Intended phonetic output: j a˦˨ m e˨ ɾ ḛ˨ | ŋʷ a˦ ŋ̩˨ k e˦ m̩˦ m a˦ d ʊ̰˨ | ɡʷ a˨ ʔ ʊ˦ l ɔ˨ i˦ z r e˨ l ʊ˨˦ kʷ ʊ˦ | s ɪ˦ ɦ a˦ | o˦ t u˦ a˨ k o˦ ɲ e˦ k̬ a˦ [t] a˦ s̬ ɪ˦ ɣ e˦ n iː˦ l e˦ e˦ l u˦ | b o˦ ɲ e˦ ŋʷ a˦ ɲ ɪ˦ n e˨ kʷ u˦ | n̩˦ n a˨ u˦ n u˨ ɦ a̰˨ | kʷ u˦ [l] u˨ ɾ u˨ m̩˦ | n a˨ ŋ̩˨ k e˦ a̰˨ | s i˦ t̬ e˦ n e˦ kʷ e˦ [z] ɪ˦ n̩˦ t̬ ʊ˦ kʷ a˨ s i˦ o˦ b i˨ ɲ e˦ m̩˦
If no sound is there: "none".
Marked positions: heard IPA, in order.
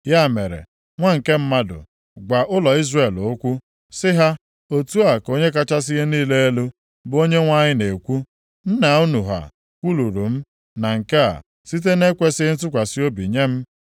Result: t͡ʃ, l, s

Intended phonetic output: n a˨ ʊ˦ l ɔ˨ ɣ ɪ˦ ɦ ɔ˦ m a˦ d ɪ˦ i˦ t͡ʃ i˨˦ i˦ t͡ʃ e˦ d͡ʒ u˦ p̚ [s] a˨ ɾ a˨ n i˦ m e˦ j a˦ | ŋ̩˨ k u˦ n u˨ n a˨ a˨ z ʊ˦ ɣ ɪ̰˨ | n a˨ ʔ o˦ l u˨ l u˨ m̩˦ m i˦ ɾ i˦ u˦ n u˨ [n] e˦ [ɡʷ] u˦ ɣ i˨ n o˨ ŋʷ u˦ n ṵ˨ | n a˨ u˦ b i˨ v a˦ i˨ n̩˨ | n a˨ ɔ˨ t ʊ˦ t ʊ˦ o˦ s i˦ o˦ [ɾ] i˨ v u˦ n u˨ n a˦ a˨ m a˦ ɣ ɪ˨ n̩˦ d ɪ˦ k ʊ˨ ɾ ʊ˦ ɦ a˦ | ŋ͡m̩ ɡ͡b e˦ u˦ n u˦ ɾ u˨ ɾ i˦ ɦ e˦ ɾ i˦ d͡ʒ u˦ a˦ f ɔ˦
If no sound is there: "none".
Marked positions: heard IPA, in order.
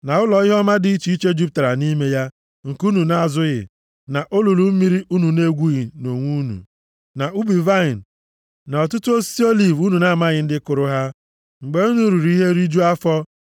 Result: t, n, ɡʷ, l

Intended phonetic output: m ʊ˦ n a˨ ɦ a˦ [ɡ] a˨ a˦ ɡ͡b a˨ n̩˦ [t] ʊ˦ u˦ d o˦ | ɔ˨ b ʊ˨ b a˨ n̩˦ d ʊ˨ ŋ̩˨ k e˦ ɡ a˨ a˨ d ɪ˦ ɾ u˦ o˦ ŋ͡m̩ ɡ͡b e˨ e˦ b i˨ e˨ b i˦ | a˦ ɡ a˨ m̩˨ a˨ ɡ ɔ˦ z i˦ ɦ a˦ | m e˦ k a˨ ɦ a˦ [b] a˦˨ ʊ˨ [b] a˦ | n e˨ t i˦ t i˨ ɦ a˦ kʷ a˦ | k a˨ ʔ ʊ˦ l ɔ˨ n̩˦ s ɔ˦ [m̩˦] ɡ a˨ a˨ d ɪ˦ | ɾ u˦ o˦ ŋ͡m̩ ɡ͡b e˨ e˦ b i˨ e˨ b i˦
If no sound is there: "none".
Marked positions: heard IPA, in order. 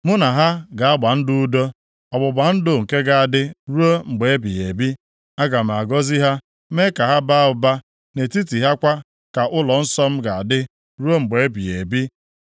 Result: ɡ, d, b, b, m̩˦

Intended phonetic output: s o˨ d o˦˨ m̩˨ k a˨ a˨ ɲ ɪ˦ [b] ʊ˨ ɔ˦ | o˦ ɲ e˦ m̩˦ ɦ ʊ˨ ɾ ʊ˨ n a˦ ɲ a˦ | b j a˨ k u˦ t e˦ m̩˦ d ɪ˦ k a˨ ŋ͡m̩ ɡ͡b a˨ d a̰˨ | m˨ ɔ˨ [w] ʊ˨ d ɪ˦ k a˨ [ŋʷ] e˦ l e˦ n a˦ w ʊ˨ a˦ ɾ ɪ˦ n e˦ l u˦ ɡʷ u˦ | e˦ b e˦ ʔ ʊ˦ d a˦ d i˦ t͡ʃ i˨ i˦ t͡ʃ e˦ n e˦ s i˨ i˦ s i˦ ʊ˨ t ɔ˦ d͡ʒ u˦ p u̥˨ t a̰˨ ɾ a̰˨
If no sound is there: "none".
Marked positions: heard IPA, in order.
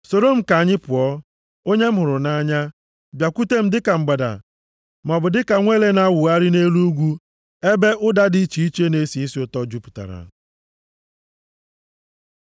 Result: p, b, ŋʷ

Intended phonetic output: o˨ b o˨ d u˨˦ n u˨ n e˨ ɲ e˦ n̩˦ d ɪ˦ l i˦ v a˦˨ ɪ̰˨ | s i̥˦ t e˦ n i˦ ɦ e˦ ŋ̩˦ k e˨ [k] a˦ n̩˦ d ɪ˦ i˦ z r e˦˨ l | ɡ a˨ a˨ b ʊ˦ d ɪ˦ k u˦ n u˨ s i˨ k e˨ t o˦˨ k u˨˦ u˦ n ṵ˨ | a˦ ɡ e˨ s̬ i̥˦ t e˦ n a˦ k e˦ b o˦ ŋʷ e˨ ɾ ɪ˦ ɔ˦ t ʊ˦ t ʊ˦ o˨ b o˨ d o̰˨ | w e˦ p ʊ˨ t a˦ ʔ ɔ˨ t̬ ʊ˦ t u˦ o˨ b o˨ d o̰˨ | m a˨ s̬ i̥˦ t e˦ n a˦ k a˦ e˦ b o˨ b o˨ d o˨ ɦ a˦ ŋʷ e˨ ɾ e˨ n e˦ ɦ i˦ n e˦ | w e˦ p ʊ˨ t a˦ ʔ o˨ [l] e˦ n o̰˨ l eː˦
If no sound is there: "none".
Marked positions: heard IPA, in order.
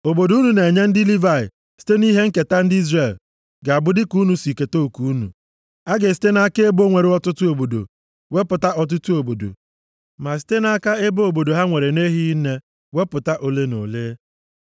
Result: t, l

